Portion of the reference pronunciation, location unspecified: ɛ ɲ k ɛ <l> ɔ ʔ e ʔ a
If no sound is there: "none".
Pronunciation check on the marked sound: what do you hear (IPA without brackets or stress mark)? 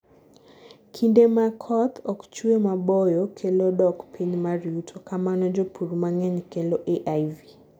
l